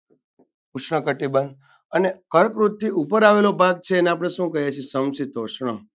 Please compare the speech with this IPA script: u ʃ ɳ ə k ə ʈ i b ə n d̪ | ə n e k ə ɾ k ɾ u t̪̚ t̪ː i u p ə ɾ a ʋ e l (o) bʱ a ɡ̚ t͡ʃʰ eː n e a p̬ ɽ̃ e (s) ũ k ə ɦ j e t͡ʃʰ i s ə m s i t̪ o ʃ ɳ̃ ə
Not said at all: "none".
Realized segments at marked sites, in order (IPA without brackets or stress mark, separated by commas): o, ʃ